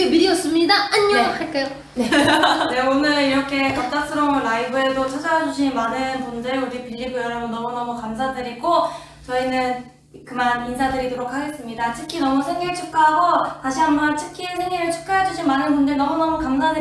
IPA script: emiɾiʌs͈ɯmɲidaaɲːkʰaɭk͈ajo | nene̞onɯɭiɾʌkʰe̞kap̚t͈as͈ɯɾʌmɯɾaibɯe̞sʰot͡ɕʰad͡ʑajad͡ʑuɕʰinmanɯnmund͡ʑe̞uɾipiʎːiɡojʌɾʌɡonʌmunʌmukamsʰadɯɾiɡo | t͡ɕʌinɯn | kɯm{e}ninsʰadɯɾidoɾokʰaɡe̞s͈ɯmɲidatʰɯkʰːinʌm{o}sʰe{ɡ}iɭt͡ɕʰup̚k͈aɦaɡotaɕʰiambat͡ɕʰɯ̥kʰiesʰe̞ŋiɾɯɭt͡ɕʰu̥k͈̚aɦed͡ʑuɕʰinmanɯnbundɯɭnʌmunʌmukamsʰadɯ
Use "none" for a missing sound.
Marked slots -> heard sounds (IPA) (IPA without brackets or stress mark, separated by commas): a, u, ŋ